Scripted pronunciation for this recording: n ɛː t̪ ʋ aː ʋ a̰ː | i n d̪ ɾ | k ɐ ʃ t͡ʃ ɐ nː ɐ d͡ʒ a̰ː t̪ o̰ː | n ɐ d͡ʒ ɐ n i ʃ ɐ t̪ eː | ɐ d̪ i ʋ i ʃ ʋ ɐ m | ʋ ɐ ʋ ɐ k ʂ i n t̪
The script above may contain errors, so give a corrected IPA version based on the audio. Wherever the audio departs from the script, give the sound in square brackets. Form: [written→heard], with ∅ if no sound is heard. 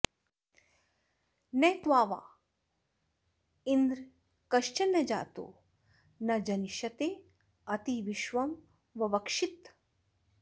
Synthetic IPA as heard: n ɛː t̪ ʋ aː ʋ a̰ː | i n d̪ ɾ | k ɐ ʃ t͡ʃ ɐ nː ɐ d͡ʒ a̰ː t̪ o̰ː | n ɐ d͡ʒ ɐ n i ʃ ɐ t̪ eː | ɐ [d̪→t̪] i ʋ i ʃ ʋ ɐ m | ʋ ɐ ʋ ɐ k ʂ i [n→∅] t̪

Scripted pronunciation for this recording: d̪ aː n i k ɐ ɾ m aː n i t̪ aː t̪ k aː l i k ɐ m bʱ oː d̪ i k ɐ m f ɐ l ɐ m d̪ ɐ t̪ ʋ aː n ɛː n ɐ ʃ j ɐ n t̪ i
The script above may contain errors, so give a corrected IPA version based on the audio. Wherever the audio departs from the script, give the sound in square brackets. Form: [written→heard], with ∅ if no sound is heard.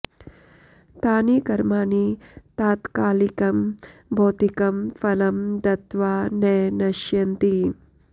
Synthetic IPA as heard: [d̪→t̪] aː n i k ɐ ɾ m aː n i t̪ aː t̪ k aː l i k ɐ m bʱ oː [d̪→t̪] i k ɐ m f ɐ l ɐ m d̪ ɐ t̪ ʋ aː n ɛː n ɐ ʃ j ɐ n t̪ i

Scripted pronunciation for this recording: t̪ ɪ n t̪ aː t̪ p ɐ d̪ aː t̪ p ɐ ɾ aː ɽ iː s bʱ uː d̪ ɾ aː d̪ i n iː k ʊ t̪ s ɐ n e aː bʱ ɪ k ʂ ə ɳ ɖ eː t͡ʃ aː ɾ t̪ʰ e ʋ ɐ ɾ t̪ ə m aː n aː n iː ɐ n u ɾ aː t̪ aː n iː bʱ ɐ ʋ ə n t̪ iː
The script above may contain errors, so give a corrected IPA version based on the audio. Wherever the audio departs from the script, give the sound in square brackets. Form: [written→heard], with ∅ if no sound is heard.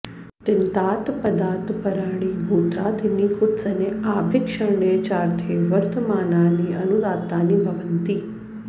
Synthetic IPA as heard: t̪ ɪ n t̪ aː t̪ p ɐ d̪ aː t̪ p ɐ ɾ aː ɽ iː [s→∅] bʱ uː [d̪→t̪] ɾ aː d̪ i n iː k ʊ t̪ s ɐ n e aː bʱ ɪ k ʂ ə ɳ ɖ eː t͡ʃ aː ɾ t̪ʰ e ʋ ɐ ɾ t̪ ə m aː n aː n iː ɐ n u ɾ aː t̪ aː n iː bʱ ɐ ʋ ə n t̪ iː

